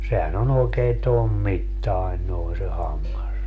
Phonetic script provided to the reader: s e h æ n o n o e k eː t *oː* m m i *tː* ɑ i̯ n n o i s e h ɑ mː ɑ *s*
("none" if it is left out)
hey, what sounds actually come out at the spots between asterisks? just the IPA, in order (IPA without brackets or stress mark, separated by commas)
o, tː, s